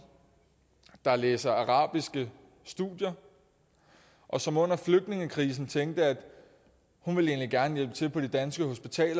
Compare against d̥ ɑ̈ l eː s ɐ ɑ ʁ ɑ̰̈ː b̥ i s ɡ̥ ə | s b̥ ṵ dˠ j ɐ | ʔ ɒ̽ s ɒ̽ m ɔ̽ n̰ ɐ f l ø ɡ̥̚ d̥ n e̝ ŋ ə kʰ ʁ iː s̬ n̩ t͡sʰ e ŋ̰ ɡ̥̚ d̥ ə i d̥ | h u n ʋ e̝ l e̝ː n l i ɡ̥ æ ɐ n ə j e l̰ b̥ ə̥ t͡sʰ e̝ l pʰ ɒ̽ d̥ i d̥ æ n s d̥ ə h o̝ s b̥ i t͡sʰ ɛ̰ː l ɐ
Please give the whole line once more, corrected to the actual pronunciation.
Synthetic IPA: d̥ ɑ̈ l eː s ɐ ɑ ʁ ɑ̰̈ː b̥ i s ɡ̥ ə | s d̥ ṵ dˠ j ɐ | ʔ ɒ̽ s ɒ̽ m ɔ̽ n̰ ɐ f l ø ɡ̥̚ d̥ n e̝ ŋ ə kʰ ʁ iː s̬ n̩ t͡sʰ e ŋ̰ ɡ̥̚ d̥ ə æ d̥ | h u n ʋ e̝ l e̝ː n l i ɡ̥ æ ɐ n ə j e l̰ b̥ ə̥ t͡sʰ e̝ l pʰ ɒ̽ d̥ i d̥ æ n s ɡ̥ ə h o̝ s b̥ i t͡sʰ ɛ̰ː l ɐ

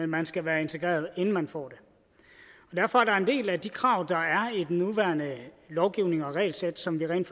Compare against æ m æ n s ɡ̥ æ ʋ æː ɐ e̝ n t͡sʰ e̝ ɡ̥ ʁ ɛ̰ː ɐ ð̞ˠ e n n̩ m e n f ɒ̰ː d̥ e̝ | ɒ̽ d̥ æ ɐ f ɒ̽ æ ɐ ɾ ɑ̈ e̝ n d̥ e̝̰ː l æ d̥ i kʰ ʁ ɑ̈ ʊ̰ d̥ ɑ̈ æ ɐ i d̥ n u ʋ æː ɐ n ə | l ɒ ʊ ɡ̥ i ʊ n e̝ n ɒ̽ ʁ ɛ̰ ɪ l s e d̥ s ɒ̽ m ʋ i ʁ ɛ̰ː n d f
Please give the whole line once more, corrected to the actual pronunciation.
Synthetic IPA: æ m æ n s ɡ̥ æ ʋ æː ɐ e̝ n t͡sʰ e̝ ɡ̥ ʁ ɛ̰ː ɐ ð̞ˠ e n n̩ m æ n f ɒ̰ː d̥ e̝ | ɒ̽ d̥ æ ɐ f ɒ̽ æ ɐ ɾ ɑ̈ e̝ n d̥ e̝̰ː l æ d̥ i kʰ ʁ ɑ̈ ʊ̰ d̥ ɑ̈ æ ɐ i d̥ n u ʋ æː ɐ n ə | l ɒ ʊ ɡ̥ i ʊ n e̝ ŋ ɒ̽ ʁ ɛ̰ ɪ l s e d̥ s ɒ̽ m ʋ i ʁ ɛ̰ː n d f

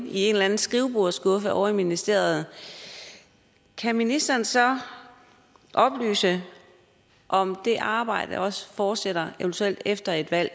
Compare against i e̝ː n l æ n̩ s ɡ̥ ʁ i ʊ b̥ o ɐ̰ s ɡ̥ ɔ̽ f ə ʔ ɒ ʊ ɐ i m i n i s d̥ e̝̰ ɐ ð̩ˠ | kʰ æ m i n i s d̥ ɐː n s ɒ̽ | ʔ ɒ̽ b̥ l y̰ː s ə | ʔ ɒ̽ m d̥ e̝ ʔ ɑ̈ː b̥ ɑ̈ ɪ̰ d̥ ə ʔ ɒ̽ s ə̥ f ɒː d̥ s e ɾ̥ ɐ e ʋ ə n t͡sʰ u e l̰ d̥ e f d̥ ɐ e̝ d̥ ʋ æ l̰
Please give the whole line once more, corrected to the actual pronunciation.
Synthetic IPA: i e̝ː n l æ n̩ s ɡ̥ ʁ i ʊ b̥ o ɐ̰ s ɡ̥ ɔ̽ f ə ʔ ɒ ʊ ɐ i m i n i s d̥ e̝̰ ɐ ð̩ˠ | kʰ æ m i n i s d̥ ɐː n s ɒ̽ | ʔ ɒ̽ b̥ l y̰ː s ə | ʔ ɒ̽ m d̥ e̝ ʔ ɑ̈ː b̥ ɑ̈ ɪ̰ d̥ ə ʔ ɒ̽ s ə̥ f ɒː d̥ s e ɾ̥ ɐ e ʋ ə n t͡sʰ u e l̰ d̥ e f d̥ ɐ e̝ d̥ ʋ æ l̰

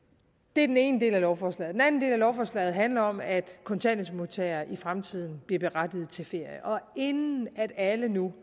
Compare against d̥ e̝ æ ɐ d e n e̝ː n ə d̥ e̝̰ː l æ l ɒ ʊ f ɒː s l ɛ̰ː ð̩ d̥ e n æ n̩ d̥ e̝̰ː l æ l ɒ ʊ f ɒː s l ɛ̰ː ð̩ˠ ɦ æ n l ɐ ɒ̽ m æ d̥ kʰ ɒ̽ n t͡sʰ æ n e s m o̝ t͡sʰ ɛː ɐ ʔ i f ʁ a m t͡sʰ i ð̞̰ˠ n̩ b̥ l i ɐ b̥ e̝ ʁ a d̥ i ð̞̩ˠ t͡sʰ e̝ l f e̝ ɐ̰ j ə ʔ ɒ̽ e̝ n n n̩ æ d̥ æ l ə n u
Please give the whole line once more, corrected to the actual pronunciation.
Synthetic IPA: d̥ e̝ æ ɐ d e n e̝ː n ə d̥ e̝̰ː l æ l ɒ ʊ f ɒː s l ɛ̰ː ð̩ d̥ e n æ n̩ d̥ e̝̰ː l æ l ɒ ʊ f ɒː s l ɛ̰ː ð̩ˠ ɦ æ n l ɐ ɒ̽ m æ d̥ kʰ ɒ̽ n t͡sʰ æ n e s m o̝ t͡sʰ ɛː ɐ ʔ i f ʁ a m t͡sʰ i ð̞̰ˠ n̩ b̥ l i ɐ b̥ e̝ ʁ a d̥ i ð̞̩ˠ t͡sʰ e̝ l f e̝ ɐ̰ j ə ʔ ɒ̽ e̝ n n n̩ æ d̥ æ l ə n u

